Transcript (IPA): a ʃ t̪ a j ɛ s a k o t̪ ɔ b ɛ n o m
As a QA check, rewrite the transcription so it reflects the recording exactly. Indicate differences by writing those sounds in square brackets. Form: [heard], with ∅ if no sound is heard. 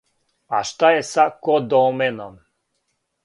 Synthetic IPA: a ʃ t̪ a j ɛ s a k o [d̪] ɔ [m] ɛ n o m